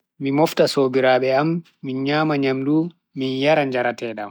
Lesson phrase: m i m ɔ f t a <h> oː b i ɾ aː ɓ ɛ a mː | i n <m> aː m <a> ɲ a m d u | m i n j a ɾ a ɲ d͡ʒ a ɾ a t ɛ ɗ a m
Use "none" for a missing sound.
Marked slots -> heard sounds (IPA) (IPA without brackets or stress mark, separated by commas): s, ɲ, a